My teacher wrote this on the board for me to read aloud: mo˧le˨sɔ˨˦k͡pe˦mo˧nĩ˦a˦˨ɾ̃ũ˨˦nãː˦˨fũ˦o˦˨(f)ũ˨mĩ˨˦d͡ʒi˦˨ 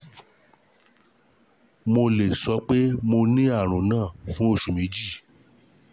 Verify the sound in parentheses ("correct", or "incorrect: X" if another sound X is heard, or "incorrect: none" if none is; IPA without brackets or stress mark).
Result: incorrect: ʃ